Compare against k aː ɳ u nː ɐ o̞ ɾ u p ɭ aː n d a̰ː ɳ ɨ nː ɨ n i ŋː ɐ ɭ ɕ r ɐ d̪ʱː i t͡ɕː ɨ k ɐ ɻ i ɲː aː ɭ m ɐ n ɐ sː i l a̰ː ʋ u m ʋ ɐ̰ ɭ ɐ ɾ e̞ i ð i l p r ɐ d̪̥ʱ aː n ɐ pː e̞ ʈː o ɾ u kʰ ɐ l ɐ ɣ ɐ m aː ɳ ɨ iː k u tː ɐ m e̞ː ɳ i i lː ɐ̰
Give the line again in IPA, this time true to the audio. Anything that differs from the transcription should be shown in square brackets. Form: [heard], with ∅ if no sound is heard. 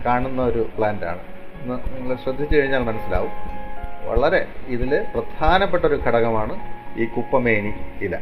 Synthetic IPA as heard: k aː ɳ u nː ɐ o̞ ɾ u p ɭ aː n d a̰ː ɳ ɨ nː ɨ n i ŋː ɐ ɭ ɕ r ɐ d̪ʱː i t͡ɕː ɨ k ɐ ɻ i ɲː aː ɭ m ɐ n ɐ sː i l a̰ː ʋ u m ʋ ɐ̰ ɭ ɐ ɾ e̞ i ð i l p r ɐ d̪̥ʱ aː n ɐ pː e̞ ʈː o ɾ u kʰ ɐ [ɽ] ɐ ɣ ɐ m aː ɳ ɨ iː k u [pː] ɐ m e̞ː ɳ i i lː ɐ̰